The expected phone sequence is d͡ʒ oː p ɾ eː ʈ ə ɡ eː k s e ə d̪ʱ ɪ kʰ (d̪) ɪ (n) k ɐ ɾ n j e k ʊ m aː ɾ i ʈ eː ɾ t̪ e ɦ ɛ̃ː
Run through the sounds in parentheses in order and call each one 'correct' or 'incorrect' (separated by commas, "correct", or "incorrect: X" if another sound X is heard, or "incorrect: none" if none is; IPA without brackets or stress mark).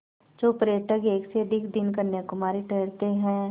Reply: correct, correct